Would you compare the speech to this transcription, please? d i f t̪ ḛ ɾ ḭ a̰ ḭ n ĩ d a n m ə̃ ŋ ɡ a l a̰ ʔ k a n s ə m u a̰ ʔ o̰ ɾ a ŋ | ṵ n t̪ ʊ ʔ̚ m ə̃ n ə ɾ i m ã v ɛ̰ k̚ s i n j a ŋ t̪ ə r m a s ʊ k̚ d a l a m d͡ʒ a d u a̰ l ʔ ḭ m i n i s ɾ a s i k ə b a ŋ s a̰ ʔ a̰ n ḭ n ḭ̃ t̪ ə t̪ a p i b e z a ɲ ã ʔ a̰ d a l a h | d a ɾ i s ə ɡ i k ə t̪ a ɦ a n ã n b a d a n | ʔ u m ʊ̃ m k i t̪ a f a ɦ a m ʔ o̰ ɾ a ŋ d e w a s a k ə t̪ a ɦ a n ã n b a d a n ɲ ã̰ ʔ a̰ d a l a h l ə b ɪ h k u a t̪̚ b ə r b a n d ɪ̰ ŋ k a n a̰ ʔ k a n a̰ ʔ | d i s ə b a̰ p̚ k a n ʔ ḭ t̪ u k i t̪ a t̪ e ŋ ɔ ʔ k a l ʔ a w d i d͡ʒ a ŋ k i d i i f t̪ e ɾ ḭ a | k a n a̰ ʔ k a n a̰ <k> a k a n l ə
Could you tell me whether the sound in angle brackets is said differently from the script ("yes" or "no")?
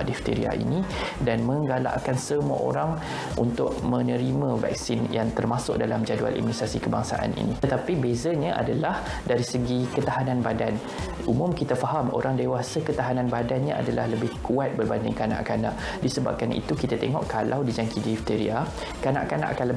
yes